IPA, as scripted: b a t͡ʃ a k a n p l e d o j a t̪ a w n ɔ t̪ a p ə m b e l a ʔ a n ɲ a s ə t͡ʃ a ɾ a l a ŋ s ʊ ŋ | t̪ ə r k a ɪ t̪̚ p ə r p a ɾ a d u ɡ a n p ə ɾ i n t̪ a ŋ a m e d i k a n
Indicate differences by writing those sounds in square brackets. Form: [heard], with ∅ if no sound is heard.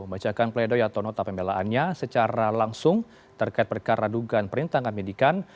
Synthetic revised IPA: b a t͡ʃ a k a n p l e d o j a t̪ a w n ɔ t̪ a p ə m b e l a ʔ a n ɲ a s ə t͡ʃ a ɾ a l a ŋ s ʊ ŋ | t̪ ə r k a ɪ t̪̚ p ə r [k] a ɾ a d u ɡ a n p ə ɾ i n t̪ a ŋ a m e d i k a n